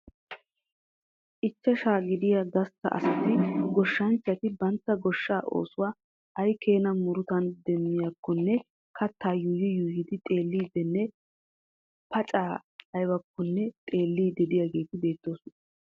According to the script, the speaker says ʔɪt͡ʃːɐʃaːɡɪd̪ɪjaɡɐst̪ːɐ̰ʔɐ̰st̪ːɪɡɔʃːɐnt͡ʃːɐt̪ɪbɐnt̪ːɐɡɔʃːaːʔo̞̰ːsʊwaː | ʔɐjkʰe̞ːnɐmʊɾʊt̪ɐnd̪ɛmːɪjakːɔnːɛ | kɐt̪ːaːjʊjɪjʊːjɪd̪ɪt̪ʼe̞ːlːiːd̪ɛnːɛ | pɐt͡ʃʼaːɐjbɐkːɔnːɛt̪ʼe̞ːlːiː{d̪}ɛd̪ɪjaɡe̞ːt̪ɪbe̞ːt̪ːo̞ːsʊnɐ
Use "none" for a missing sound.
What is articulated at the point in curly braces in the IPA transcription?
d̪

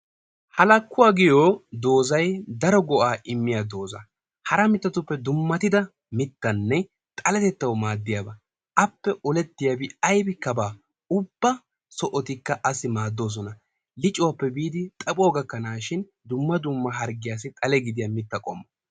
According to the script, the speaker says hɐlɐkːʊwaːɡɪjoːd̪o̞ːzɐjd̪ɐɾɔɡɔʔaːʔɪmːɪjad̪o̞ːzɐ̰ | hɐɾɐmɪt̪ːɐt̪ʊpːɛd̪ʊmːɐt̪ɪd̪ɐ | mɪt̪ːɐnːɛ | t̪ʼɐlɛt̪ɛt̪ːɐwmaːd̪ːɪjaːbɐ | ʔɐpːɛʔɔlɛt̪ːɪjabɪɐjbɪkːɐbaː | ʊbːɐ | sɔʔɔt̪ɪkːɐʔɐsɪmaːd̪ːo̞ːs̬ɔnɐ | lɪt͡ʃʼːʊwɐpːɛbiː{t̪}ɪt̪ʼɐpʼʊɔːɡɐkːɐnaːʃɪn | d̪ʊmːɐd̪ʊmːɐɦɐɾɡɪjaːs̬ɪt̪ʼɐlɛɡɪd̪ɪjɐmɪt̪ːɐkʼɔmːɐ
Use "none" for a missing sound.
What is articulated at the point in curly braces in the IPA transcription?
d̪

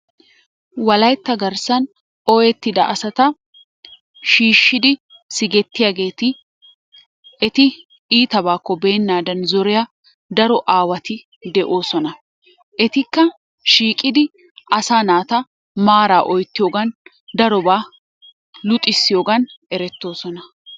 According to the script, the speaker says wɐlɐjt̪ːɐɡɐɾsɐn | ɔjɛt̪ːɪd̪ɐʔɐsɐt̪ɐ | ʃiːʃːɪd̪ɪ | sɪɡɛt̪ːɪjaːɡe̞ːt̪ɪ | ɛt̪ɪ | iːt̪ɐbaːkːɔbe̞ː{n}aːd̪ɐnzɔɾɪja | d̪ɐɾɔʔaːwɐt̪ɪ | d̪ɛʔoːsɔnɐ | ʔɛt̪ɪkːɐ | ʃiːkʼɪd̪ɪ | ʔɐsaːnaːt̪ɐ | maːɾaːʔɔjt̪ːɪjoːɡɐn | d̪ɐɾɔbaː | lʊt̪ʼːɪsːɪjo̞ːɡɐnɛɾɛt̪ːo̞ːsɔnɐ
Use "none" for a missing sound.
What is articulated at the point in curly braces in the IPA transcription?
nː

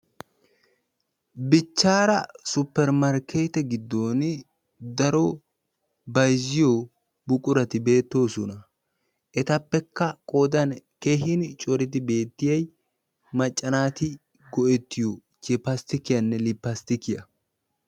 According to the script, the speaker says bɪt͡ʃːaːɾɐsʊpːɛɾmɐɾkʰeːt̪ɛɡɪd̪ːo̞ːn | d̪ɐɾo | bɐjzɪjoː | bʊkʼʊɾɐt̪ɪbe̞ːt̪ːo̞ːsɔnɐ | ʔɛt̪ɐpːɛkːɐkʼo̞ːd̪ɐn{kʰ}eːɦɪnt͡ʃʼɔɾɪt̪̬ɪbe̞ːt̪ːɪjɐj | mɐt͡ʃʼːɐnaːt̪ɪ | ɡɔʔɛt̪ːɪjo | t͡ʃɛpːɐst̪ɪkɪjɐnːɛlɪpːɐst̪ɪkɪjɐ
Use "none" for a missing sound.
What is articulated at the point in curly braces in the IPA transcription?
k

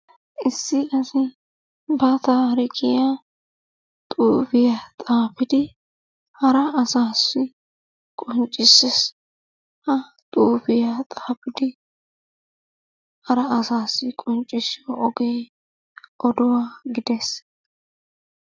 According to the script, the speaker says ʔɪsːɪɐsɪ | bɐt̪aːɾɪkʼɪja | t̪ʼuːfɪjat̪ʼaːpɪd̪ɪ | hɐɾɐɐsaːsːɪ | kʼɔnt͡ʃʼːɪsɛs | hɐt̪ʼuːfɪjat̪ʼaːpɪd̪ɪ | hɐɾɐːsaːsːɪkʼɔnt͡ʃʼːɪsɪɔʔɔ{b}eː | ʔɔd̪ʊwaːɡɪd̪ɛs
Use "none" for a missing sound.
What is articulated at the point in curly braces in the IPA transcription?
ɡ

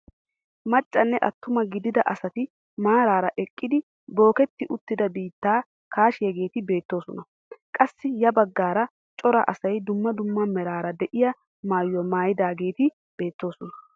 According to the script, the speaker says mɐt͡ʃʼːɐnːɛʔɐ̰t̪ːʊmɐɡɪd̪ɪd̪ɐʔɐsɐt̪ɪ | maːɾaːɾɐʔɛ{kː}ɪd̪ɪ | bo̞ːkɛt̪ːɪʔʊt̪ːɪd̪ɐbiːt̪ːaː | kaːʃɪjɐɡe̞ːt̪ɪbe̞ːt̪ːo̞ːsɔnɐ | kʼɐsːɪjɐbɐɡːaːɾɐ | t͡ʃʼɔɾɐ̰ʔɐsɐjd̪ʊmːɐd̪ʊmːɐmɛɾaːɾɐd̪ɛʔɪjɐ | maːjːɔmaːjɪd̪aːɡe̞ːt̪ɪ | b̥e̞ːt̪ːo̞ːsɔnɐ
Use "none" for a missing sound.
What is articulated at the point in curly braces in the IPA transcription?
kʼː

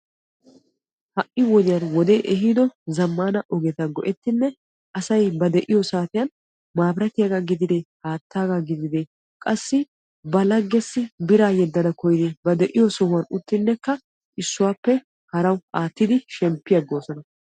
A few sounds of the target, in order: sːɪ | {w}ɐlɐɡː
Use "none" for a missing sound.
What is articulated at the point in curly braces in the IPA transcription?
b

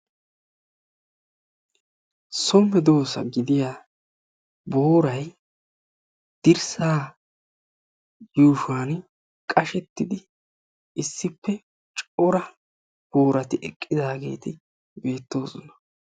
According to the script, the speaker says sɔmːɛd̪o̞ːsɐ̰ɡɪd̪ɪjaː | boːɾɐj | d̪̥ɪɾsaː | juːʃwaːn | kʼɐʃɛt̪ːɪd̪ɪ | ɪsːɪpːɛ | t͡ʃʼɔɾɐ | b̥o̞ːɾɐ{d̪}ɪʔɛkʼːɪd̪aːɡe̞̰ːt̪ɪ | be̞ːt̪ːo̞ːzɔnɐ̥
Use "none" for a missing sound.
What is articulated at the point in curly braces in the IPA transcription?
t̪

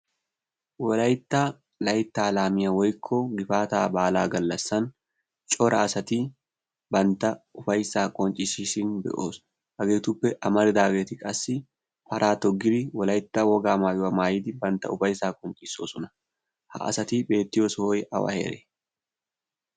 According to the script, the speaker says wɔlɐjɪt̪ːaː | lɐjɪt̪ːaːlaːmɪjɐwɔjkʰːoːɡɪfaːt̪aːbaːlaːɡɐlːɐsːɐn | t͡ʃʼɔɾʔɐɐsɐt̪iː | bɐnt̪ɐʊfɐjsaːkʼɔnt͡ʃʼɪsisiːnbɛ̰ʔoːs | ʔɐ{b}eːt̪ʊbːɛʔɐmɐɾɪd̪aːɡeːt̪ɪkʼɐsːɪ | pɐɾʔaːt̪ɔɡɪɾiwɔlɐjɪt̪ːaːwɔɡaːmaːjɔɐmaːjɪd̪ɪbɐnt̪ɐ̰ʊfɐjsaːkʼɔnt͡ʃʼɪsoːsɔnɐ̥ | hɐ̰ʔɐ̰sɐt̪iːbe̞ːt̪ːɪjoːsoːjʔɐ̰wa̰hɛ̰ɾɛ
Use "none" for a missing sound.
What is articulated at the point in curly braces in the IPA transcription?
ɡ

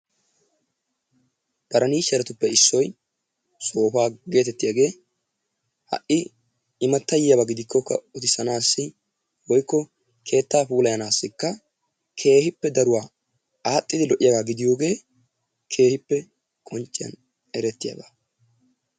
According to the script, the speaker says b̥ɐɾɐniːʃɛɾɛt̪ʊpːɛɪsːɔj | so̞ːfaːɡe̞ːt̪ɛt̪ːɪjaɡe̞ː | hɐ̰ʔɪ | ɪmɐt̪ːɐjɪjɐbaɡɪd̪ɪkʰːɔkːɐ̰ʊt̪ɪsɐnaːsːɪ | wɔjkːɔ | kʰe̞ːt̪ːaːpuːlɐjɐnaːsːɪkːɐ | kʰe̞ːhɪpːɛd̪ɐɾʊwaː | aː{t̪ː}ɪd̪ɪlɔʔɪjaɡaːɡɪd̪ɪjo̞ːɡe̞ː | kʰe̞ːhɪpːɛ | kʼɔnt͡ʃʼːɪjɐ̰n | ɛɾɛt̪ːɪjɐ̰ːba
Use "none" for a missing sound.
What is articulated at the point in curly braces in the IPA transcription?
t̪ʼː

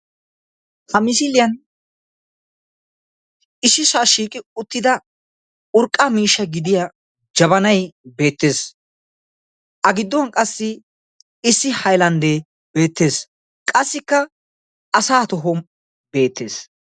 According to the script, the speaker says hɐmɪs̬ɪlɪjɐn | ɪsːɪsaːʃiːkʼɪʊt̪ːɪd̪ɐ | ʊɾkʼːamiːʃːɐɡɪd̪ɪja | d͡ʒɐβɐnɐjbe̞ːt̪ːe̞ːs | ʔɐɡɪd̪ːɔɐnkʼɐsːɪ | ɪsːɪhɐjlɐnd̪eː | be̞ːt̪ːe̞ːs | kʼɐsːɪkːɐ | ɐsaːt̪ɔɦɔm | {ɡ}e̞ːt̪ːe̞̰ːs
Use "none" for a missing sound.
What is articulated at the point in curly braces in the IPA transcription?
b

